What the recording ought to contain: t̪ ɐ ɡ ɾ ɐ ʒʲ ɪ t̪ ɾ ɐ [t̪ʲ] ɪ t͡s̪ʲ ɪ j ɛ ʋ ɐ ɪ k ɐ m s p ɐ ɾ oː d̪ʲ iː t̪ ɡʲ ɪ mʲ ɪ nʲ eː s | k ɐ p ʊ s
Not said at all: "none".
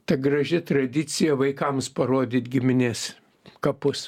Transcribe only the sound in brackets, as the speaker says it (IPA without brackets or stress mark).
d̪ʲ